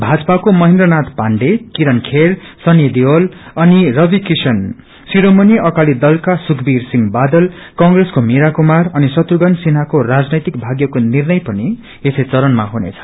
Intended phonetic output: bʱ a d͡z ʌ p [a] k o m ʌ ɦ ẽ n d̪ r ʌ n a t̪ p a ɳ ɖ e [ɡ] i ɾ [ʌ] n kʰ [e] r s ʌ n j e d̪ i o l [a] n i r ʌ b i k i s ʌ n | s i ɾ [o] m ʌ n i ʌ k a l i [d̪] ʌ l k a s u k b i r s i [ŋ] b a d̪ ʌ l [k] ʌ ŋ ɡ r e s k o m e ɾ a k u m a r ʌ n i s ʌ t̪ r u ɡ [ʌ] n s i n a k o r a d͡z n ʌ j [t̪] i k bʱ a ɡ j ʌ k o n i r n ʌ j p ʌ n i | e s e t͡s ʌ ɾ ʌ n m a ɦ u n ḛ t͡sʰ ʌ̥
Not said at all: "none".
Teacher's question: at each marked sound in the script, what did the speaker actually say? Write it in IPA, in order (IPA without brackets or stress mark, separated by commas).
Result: a, k, ʌ, e, ʌ, o, d̪, ŋ, k, ʌ, t̪